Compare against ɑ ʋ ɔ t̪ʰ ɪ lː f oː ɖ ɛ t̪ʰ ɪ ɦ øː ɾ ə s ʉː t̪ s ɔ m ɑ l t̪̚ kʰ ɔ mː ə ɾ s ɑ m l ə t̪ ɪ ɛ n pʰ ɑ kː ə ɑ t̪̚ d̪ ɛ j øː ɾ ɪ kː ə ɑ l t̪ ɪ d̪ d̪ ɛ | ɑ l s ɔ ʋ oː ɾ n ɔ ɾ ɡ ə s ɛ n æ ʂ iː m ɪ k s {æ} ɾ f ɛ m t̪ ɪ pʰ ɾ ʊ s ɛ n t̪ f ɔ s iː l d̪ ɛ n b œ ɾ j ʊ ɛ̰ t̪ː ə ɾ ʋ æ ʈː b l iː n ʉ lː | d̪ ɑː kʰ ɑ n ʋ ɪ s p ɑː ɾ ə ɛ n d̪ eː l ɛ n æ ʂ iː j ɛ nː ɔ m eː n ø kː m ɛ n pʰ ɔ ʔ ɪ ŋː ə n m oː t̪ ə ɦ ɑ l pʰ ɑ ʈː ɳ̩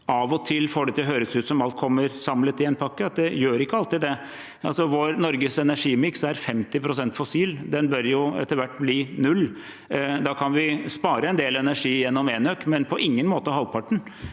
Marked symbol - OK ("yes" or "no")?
yes